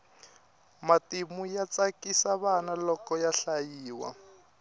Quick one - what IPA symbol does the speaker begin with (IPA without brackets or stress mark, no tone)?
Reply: m